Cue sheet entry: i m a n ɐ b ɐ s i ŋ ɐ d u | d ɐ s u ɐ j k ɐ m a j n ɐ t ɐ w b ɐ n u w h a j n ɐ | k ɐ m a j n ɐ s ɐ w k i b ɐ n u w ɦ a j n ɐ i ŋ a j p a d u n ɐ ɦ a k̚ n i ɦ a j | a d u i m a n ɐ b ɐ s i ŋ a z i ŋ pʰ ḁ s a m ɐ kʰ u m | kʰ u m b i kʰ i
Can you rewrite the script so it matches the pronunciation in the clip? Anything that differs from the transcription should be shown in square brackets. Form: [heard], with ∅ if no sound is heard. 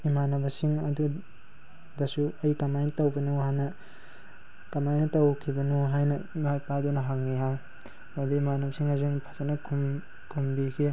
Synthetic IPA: i m a n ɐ b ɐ s i ŋ ɐ d u | d ɐ s u ɐ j k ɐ m a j n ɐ t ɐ w b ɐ n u w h a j n ɐ | k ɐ m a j n ɐ [t] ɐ w [kʰ] i b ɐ n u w ɦ a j n ɐ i [m] a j p a d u n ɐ ɦ a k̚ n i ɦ a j | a d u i m a n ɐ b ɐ s i ŋ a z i ŋ pʰ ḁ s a [n] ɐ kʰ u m | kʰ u m b i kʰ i